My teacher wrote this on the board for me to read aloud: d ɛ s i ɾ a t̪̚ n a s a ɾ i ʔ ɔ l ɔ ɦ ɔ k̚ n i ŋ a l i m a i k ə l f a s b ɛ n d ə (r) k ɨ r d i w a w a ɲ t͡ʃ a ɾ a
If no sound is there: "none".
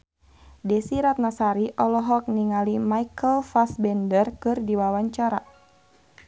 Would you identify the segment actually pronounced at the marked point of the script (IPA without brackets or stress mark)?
r